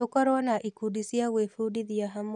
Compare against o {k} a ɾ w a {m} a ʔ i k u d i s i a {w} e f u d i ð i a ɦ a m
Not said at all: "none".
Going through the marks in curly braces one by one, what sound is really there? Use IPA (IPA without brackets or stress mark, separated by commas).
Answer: k, n, w